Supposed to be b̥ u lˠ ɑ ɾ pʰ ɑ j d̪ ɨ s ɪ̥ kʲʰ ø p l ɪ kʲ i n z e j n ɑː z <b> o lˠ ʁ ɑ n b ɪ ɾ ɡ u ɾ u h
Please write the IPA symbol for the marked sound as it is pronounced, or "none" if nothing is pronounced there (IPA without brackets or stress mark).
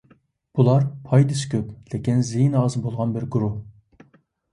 b